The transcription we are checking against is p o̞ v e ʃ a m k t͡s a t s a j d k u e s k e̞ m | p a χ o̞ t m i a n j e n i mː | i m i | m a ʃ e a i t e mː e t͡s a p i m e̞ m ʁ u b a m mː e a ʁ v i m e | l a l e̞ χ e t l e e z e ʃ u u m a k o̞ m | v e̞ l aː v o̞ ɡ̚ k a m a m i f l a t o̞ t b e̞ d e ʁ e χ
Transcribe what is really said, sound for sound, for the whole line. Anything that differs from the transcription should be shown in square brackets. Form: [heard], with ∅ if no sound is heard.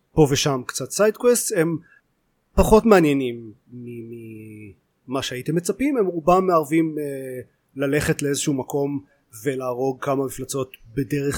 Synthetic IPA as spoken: p o̞ v e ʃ a m k t͡s a t s a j d k [w] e s [t] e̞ m | p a χ o̞ t m [e] a n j e n i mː | i m i | m a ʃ e a i t e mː e t͡s a p i m e̞ m ʁ u b a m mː e a ʁ v i m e | l a l e̞ χ e t l e e z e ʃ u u m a k o̞ m | v e̞ l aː [ʁ] o̞ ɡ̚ k a m a m i f l a [t͡s] o̞ t b e̞ d e ʁ e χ